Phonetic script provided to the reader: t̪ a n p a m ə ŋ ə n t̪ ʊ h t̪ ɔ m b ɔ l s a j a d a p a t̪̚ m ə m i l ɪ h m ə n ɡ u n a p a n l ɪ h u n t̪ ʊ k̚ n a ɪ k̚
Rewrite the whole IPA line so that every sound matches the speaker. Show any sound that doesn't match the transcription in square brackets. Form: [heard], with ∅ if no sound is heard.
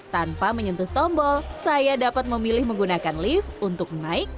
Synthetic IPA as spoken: t̪ a n p a m ə [ɲ] ə n t̪ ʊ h t̪ ɔ m b ɔ l s a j a d a p a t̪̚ m ə m i l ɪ h m ə [ŋ] ɡ u n a [k] a n l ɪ [f] u n t̪ ʊ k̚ n a ɪ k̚